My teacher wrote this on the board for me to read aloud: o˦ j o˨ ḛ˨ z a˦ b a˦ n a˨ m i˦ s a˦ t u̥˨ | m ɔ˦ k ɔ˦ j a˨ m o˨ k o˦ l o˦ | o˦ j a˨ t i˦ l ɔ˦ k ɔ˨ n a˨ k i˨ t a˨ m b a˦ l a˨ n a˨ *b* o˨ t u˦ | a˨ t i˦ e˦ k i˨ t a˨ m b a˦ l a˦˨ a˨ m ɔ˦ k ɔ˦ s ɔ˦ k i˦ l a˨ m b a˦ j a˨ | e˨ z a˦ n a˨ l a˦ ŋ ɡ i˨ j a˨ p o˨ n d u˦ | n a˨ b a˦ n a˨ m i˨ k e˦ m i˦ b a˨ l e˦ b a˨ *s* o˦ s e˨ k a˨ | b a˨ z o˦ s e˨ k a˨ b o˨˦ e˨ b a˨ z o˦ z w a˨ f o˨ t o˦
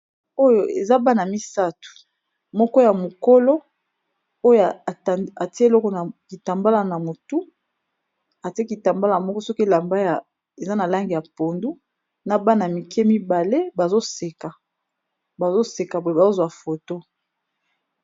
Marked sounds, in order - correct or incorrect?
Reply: incorrect, incorrect

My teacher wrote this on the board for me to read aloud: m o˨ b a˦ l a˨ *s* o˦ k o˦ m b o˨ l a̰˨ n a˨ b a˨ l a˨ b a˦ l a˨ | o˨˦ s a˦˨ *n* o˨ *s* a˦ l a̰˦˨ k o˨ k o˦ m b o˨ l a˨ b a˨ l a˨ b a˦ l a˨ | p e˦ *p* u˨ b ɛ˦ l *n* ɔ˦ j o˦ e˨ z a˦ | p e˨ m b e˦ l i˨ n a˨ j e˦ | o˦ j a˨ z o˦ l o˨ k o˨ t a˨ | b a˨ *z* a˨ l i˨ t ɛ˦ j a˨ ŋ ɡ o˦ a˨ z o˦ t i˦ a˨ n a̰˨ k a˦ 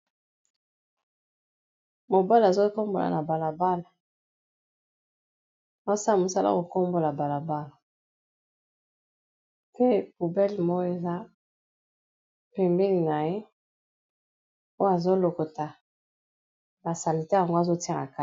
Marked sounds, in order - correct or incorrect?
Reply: incorrect, incorrect, correct, correct, incorrect, incorrect

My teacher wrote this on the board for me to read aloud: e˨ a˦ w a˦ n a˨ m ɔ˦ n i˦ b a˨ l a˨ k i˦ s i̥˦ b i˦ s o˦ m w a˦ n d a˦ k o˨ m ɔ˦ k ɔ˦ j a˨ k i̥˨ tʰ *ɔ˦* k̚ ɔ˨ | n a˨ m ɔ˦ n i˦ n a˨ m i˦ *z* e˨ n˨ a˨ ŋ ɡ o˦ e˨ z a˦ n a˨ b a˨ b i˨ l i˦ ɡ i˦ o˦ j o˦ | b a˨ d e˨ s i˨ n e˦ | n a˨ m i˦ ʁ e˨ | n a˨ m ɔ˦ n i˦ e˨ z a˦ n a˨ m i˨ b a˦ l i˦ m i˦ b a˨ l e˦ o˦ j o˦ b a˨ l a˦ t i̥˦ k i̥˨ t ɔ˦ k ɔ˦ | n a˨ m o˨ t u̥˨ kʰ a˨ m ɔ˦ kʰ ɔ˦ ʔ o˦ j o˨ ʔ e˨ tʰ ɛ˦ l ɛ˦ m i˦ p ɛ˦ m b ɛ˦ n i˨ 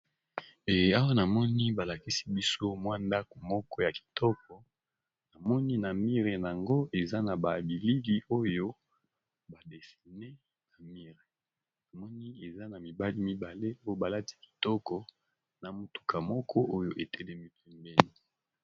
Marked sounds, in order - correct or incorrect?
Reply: correct, incorrect

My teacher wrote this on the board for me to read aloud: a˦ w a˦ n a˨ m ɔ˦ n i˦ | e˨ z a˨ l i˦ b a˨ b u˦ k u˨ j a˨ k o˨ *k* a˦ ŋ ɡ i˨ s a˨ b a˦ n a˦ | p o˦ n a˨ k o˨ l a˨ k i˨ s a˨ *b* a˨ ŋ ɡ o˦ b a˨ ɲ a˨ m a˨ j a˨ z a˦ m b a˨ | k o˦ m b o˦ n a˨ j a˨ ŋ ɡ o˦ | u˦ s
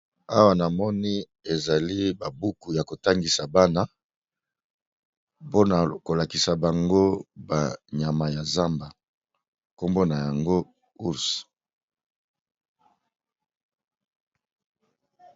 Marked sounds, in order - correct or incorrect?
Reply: incorrect, correct

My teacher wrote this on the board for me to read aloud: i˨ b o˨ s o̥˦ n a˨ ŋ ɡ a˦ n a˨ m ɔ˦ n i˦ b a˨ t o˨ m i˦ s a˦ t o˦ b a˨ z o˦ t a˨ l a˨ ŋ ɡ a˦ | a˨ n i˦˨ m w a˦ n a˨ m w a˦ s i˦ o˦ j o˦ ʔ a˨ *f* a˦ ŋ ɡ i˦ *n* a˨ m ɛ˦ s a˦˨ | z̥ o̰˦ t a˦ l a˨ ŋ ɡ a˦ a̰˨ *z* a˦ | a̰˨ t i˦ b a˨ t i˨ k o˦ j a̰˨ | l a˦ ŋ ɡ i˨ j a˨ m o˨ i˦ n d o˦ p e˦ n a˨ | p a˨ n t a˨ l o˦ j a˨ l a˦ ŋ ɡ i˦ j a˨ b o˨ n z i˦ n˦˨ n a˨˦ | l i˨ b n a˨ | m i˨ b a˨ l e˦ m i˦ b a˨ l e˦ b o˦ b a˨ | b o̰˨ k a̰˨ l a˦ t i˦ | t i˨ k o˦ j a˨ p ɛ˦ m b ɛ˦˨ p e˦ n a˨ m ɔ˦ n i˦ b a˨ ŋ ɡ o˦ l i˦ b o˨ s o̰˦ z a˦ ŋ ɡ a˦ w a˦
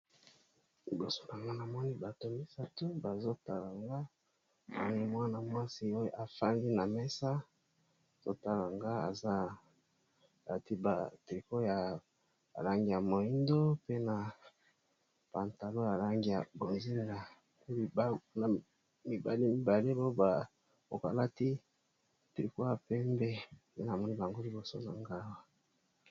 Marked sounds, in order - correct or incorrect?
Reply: correct, correct, correct

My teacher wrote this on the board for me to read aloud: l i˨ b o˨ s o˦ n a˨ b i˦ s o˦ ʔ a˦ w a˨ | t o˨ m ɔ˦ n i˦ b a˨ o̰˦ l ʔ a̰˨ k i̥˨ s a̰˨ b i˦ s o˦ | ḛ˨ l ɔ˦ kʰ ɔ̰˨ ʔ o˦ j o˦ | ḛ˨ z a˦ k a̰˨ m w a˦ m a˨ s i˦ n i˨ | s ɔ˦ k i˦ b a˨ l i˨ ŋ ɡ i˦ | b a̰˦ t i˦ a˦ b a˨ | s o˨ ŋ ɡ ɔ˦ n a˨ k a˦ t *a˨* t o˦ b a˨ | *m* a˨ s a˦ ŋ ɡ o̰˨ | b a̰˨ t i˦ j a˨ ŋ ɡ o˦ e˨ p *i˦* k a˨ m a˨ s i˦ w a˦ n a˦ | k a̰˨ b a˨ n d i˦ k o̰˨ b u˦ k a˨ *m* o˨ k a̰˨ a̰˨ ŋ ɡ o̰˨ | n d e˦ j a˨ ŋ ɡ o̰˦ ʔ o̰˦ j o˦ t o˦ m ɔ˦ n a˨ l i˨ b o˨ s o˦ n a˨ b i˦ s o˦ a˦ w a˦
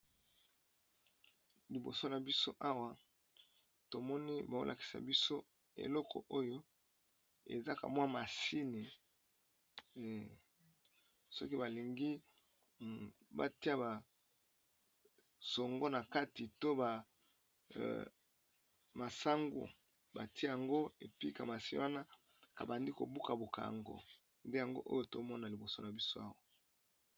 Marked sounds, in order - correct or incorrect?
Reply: incorrect, correct, correct, incorrect

